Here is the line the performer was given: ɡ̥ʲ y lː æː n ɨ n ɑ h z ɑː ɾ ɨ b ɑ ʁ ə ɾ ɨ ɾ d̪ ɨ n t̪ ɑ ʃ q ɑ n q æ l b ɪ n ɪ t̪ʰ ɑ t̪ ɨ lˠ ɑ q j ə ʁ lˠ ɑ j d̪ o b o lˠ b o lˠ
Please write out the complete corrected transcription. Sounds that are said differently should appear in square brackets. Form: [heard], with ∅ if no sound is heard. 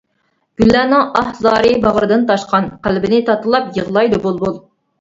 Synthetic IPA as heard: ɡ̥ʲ y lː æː n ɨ [ŋ] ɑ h z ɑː ɾ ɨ b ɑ ʁ ə ɾ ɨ [∅] d̪ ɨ n t̪ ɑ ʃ q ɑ n q æ l b ɪ n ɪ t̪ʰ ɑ t̪ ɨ lˠ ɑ [p] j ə ʁ lˠ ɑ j d̪ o b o lˠ b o lˠ